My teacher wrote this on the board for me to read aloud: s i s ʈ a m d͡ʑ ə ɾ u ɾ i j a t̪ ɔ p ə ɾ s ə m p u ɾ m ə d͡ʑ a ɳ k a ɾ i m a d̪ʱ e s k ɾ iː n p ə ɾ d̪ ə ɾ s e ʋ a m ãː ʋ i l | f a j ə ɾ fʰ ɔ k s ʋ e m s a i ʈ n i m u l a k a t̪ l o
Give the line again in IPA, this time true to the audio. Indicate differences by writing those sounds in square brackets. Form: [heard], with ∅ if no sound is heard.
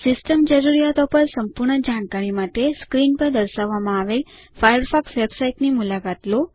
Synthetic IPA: s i s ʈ [ə] m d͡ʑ ə ɾ u ɾ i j a t̪ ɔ p ə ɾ s ə m p u ɾ [ɳ] ə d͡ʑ a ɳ k a ɾ i m a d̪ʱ e s k ɾ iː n p ə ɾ d̪ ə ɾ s [a] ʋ a m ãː ʋ [e] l | f a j ə ɾ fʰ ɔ k s ʋ e [b] s a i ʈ n i m u l a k a t̪ l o

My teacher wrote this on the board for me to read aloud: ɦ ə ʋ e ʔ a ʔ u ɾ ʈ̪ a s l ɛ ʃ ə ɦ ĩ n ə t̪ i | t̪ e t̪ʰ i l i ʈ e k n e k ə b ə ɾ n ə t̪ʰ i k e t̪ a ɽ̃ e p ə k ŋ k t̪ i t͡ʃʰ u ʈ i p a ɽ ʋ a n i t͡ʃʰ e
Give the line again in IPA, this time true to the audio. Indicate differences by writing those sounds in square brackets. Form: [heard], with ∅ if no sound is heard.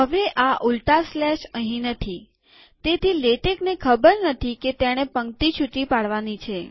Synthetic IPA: ɦ ə ʋ e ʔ a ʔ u [l] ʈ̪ a s l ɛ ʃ ə ɦ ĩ n ə [t̪ʰ] i | t̪ e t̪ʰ i l [e] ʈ e k n e [kʰ] ə b ə ɾ n ə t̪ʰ i k e t̪ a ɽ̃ e p ə [∅] ŋ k t̪ i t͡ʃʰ u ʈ i p a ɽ ʋ a n i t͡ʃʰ e

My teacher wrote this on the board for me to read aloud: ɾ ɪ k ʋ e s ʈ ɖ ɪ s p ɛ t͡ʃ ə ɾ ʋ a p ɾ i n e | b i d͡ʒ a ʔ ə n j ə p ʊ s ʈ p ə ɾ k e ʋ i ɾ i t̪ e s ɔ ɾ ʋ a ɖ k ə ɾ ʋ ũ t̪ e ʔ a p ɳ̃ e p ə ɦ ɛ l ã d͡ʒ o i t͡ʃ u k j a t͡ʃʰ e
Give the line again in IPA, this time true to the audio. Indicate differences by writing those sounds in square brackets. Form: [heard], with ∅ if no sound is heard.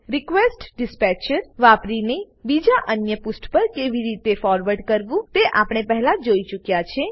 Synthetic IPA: ɾ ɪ k ʋ e s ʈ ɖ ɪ s p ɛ t͡ʃ ə ɾ ʋ a p ɾ i n e | b i d͡ʒ a ʔ ə n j ə p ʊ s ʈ p ə ɾ k e ʋ i ɾ i t̪ e [f] ɔ ɾ ʋ [ə] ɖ k ə ɾ ʋ ũ t̪ e ʔ a p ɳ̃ e p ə ɦ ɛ l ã d͡ʒ o i t͡ʃ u k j a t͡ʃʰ e

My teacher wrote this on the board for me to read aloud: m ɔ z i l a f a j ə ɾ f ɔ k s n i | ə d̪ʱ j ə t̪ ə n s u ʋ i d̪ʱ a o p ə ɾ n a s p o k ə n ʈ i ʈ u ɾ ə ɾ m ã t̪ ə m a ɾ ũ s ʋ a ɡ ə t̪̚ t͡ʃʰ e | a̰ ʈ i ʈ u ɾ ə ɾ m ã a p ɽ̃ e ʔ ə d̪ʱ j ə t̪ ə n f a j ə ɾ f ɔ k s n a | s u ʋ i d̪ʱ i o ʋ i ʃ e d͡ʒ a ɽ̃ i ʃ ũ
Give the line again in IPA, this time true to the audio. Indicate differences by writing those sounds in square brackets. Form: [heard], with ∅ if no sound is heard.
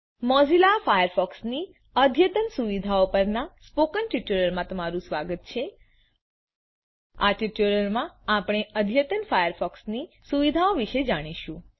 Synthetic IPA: m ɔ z i l a f a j ə ɾ f ɔ k s n i | ə d̪ʱ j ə t̪ ə n s u ʋ i d̪ʱ a o p ə ɾ n a s p o k ə n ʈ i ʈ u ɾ ə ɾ m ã t̪ ə m a ɾ ũ s ʋ a ɡ ə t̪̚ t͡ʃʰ e | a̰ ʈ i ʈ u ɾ ə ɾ m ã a p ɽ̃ e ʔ ə d̪ʱ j ə t̪ ə n f a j ə ɾ f ɔ k s n [i] | s u ʋ i d̪ʱ [a] o ʋ i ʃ e d͡ʒ a ɽ̃ i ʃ ũ

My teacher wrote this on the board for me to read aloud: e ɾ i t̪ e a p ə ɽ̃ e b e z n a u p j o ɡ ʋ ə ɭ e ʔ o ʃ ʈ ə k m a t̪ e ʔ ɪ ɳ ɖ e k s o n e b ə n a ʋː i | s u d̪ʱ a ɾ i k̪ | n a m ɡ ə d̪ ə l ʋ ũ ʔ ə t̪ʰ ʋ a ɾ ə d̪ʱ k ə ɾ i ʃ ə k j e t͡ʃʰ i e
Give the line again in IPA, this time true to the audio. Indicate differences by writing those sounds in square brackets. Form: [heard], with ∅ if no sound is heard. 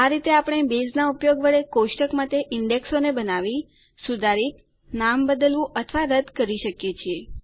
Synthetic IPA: [a] ɾ i t̪ e a p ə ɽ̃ e b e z n a u p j o ɡ ʋ ə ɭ e [k] o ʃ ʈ ə k m a t̪ e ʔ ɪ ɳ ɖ e k s o n e b ə n a [ʋ] i | s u d̪ʱ a ɾ i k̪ | n a m [b] ə d̪ ə l ʋ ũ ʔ ə t̪ʰ ʋ a ɾ ə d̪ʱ k ə ɾ i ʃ ə k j e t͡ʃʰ i e

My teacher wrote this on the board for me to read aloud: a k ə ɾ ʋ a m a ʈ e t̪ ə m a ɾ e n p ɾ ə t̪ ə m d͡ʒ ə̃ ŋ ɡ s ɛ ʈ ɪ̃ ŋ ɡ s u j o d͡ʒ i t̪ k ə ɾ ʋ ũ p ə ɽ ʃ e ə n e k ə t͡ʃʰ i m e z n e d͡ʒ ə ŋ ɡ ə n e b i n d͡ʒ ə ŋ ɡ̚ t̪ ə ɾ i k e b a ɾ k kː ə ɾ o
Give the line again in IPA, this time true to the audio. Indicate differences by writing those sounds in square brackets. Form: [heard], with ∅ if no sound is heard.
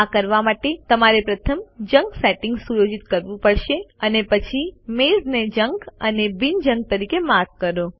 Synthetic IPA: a k ə ɾ ʋ a m a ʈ e t̪ ə m a ɾ e [∅] p ɾ ə [t̪ʰ] ə m d͡ʒ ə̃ ŋ ɡ s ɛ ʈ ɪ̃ ŋ ɡ s u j o d͡ʒ i t̪ k ə ɾ ʋ ũ p ə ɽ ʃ e ə n e [p] ə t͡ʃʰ i m e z n e d͡ʒ ə ŋ ɡ ə n e b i n d͡ʒ ə ŋ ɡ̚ t̪ ə ɾ i k e [m] a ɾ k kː ə ɾ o

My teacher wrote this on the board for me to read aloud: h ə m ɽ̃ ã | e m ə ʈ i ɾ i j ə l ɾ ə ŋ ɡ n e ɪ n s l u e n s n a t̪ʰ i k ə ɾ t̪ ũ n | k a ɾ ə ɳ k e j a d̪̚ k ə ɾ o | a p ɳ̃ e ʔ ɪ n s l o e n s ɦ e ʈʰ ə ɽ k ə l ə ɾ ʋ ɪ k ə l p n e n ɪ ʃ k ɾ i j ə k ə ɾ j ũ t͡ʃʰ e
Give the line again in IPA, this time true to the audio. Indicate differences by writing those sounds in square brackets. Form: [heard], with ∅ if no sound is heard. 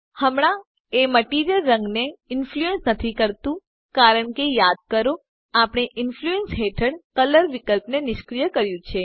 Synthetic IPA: h ə m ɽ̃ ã | e m ə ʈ i ɾ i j ə l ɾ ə ŋ ɡ n e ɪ n [f] l u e n s n [ə] t̪ʰ i k ə ɾ t̪ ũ [∅] | k a ɾ ə ɳ k e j a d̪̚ k ə ɾ o | a p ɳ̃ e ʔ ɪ n [f] l [u] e n s ɦ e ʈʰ ə ɽ k ə l ə ɾ ʋ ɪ k ə l p n e n ɪ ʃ k ɾ i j ə k ə ɾ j ũ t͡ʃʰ e

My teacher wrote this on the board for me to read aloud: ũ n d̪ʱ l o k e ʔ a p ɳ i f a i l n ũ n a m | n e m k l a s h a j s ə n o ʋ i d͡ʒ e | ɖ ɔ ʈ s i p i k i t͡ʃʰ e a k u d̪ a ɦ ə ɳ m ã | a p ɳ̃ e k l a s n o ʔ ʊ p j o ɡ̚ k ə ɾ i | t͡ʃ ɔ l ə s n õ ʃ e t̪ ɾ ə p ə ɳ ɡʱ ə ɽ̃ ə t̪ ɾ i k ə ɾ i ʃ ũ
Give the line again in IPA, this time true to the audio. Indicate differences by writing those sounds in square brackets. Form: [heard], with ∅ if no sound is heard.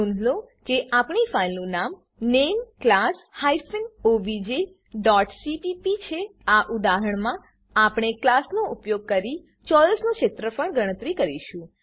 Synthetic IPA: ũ n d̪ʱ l o k e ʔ a p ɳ i f a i l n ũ n a m | n e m k l a s h a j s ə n o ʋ i d͡ʒ e | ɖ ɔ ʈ s i p i [p] i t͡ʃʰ e a [ʔ] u d̪ a ɦ ə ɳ m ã | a p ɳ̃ e k l a s n o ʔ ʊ p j o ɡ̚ k ə ɾ i | t͡ʃ ɔ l ə s n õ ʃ e t̪ ɾ ə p ə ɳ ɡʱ ə ɽ̃ ə t̪ ɾ i k ə ɾ i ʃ ũ

